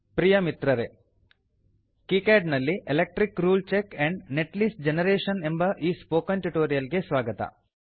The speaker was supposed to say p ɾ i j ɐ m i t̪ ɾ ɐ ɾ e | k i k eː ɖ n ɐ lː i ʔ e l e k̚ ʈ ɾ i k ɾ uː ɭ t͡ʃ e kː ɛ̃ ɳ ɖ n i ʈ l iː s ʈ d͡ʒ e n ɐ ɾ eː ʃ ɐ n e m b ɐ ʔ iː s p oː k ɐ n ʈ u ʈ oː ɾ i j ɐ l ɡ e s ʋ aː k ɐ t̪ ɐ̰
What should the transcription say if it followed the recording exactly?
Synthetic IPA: p ɾ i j ɐ m i t̪ ɾ ɐ ɾ e | k i k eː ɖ n ɐ lː i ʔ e l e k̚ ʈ ɾ i k ɾ uː l t͡ʃ e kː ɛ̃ ɳ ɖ n e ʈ l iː s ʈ d͡ʒ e n ɐ ɾ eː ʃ ɐ n e m b ɐ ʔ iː s p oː k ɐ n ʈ u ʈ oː ɾ i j ɐ l ɡ e s ʋ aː ɡ ɐ t̪ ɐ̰

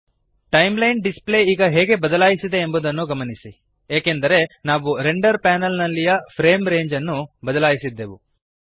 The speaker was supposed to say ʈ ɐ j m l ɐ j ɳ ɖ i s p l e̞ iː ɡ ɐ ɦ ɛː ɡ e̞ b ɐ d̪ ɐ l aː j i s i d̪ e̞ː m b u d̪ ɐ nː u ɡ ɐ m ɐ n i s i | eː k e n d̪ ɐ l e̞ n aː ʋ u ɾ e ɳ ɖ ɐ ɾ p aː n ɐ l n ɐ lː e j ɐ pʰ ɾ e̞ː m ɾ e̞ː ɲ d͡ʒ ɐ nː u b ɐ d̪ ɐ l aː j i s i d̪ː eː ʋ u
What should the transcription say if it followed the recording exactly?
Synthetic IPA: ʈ ɐ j m l ɐ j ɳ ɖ i s p l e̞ iː ɡ ɐ ɦ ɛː ɡ e̞ b ɐ d̪ ɐ l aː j i s i d̪ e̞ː m b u d̪ ɐ nː u ɡ ɐ m ɐ n i s i | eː k e n d̪ ɐ ɾ e̞ n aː ʋ u ɾ e ɳ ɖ ɐ ɾ p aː n ɐ l n ɐ lː i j ɐ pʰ ɾ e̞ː m ɾ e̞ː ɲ d͡ʒ ɐ nː u b ɐ d̪ ɐ l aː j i s i d̪ː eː ʋ u

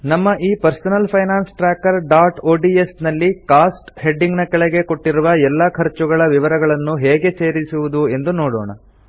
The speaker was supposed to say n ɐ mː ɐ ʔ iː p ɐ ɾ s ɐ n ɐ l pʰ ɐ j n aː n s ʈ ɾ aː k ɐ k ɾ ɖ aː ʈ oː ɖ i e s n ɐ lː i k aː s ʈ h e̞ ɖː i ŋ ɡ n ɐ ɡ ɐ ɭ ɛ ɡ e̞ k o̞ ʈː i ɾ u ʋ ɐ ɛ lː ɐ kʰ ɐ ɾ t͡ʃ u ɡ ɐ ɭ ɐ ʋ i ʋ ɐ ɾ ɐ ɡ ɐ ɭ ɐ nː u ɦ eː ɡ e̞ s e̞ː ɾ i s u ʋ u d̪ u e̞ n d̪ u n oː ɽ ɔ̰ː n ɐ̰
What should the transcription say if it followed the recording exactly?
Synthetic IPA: n ɐ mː ɐ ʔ iː p ɐ ɾ s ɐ n ɐ l pʰ ɐ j n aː n s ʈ ɾ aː k ɐ ɾ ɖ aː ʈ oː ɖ i e s n ɐ lː i k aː s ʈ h e̞ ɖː i ŋ ɡ n ɐ k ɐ ɭ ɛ ɡ e̞ k o̞ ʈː i ɾ u ʋ ɐ ɛ lː ɐ kʰ ɐ ɾ t͡ʃ u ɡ ɐ ɭ ɐ ʋ i ʋ ɐ ɾ ɐ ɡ ɐ ɭ ɐ nː u ɦ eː ɡ e̞ s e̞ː ɾ i s u ʋ u d̪ u e̞ n d̪ u n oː ɽ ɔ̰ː ɳ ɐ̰

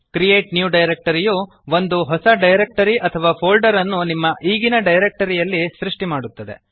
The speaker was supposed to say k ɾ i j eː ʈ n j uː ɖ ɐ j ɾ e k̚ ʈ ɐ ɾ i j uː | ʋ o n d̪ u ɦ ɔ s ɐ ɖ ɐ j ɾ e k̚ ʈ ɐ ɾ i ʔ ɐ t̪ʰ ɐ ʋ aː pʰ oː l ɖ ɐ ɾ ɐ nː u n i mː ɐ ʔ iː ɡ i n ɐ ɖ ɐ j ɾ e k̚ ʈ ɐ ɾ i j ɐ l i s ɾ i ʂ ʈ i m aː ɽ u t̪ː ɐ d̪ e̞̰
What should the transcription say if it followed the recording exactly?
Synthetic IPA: k ɾ i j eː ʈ n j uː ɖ ɐ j ɾ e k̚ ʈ ɐ ɾ i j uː | ʋ o n d̪ u ɦ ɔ s ɐ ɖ ɐ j ɾ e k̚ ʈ ɐ ɾ i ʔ ɐ t̪ʰ ɐ ʋ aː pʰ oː l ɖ ɐ ɾ ɐ nː u n i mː ɐ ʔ iː ɡ i n ɐ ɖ ɐ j ɾ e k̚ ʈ ɐ ɾ i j ɐ lː i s ɾ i ʂ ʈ i m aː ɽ u t̪ː ɐ d̪ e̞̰

